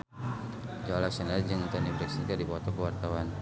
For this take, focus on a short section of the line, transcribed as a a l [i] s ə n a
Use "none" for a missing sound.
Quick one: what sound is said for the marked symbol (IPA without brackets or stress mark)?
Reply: a